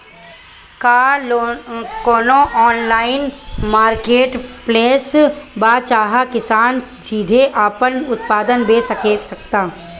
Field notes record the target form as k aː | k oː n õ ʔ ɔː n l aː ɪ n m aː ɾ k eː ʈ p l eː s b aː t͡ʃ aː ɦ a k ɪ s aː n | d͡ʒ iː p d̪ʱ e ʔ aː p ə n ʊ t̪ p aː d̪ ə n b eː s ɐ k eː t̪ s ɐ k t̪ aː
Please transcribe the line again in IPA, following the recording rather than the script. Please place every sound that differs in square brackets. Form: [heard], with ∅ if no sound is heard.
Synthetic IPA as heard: k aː | k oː n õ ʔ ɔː n l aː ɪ n m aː ɾ k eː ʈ p l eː s b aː t͡ʃ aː ɦ a k ɪ s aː n | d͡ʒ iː [∅] d̪ʱ e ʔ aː p ə n ʊ t̪ p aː d̪ ə n b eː s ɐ k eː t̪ s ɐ k t̪ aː

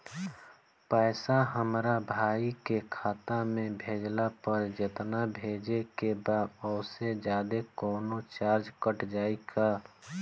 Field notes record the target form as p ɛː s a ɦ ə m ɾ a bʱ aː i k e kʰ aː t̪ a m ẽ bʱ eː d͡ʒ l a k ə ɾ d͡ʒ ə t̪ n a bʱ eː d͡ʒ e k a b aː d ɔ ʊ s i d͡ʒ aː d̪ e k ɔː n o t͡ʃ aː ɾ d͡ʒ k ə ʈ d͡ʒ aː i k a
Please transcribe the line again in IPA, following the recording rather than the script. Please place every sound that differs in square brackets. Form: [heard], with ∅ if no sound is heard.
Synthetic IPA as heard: p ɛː s a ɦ ə m ɾ a bʱ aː i k e kʰ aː t̪ a m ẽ bʱ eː d͡ʒ l a [p] ə ɾ d͡ʒ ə t̪ n a bʱ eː d͡ʒ e k [e] b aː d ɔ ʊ s [e] d͡ʒ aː d̪ e k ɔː n o t͡ʃ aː ɾ d͡ʒ k ə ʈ d͡ʒ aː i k a

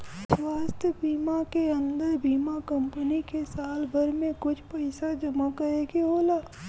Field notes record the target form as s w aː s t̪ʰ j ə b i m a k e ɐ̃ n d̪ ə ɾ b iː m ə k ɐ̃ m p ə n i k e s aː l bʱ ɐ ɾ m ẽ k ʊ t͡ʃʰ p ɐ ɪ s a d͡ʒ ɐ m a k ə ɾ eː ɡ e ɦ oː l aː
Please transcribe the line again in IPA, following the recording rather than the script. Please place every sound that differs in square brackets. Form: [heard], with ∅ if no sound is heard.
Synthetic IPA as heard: s w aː s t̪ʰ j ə b [iː] m a k e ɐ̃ n d̪ ə ɾ b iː m [a] k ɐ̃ m p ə n i k e s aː l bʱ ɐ ɾ m ẽ k ʊ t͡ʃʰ p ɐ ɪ s a d͡ʒ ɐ m a k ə ɾ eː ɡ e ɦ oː l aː

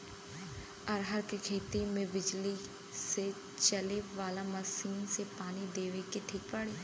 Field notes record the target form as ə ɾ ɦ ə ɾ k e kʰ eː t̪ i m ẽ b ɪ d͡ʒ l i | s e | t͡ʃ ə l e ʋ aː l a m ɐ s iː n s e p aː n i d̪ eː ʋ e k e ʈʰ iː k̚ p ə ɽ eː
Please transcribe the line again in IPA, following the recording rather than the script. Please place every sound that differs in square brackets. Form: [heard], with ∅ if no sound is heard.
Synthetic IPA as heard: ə ɾ ɦ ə ɾ k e kʰ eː t̪ i m ẽ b ɪ d͡ʒ l i | s e | t͡ʃ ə l e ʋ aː l a m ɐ s iː n s e p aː n i d̪ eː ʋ e k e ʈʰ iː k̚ p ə ɽ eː

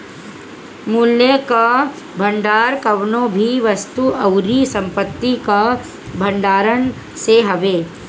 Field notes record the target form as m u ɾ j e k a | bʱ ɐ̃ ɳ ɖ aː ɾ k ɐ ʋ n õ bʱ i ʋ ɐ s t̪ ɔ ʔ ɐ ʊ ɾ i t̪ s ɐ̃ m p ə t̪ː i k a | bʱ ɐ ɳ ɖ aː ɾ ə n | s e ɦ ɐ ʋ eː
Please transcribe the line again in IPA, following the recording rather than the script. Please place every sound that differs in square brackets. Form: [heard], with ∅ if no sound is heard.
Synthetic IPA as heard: m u [l] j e k a | bʱ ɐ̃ ɳ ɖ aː ɾ k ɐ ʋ n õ bʱ i ʋ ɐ s t̪ [u] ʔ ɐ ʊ ɾ i [∅] s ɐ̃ m p ə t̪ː i k a | bʱ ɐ ɳ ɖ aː ɾ ə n | s e ɦ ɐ ʋ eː

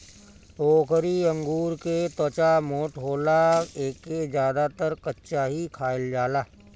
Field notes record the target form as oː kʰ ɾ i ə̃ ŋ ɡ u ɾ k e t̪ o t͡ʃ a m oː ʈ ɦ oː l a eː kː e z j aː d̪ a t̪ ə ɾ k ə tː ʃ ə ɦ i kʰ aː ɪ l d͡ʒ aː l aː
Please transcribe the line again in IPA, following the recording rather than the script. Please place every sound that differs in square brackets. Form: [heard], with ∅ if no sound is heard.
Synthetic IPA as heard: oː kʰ ɾ i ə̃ ŋ ɡ [uː] ɾ k e t̪ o t͡ʃ a m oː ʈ ɦ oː l a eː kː e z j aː d̪ a t̪ ə ɾ k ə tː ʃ [a] ɦ i kʰ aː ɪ l d͡ʒ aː l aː

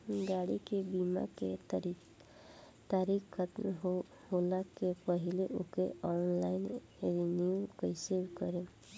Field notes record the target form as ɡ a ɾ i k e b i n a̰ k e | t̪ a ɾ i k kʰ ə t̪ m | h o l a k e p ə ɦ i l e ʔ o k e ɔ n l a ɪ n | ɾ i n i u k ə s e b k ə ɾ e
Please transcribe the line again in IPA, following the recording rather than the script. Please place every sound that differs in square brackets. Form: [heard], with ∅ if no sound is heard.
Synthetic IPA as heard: ɡ a [ɽ] i k e b i [m] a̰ k e | t̪ a ɾ i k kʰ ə t̪ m | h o l a k e p ə ɦ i l e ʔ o k e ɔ n l a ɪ n | ɾ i n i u k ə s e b k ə ɾ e

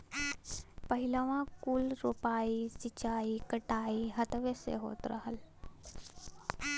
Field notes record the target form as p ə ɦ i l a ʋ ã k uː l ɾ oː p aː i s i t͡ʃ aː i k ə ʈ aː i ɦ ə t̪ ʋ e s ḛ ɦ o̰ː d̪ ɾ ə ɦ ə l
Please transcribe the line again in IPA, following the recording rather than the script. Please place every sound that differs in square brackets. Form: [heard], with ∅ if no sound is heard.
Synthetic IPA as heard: p ə ɦ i l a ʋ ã k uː l ɾ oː p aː i s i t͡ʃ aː i k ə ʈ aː i ɦ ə t̪ ʋ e s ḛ ɦ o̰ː [t̪] ɾ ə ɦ ə l

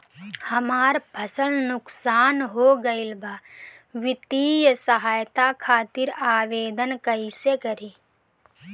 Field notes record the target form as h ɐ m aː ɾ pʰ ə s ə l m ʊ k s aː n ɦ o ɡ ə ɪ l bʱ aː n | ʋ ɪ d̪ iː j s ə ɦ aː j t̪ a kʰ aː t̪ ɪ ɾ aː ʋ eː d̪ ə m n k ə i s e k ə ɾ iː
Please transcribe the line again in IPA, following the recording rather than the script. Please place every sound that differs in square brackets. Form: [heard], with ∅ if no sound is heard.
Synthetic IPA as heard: h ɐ m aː ɾ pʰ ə s ə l [n] ʊ k s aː n ɦ o ɡ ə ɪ l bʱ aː [∅] | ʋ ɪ [t̪] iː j s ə ɦ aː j t̪ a kʰ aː t̪ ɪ ɾ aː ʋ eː d̪ ə [∅] n k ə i s e k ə ɾ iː

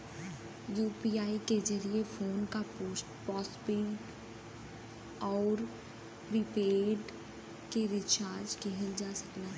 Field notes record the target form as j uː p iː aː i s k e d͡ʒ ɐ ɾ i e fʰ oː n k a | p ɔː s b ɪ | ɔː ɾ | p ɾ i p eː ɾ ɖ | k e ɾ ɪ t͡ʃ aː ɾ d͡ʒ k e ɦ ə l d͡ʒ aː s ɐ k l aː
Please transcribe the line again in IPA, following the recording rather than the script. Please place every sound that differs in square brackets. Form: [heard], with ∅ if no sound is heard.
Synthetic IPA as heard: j uː p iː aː i [∅] k e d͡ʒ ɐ ɾ i e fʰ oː n k a | p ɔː s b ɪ | ɔː ɾ | p ɾ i p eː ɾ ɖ | k e ɾ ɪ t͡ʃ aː ɾ d͡ʒ k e ɦ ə l d͡ʒ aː s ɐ k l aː

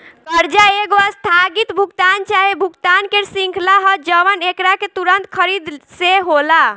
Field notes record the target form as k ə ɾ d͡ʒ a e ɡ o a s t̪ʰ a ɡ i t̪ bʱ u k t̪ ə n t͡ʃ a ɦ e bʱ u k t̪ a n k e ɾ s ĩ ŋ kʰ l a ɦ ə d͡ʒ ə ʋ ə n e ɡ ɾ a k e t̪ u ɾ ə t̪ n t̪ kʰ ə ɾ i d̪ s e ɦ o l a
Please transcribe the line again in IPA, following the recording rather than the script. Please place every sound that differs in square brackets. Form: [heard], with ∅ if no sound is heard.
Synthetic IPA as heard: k ə ɾ d͡ʒ a e ɡ o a s t̪ʰ a ɡ i t̪ bʱ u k t̪ [a] n t͡ʃ a ɦ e bʱ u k t̪ a n k e ɾ s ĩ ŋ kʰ l a ɦ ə d͡ʒ ə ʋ ə n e [k] ɾ a k e t̪ u ɾ ə [∅] n t̪ kʰ ə ɾ i d̪ s e ɦ o l a

